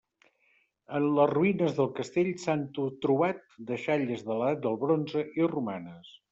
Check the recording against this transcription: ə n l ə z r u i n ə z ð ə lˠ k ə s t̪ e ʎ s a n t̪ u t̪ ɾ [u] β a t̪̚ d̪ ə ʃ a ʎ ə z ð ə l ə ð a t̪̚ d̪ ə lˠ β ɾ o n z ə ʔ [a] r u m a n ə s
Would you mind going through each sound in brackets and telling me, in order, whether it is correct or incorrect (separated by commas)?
correct, incorrect